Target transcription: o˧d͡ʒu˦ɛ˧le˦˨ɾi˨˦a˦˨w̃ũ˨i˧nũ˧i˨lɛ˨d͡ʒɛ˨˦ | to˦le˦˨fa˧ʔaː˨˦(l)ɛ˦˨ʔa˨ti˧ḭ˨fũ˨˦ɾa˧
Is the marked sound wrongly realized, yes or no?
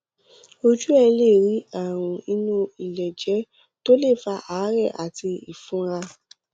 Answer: yes